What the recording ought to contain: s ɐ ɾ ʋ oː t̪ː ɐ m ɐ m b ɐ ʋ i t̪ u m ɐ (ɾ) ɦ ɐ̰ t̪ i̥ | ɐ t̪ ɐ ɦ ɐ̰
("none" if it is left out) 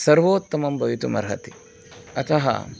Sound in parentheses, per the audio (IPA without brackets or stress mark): ɾ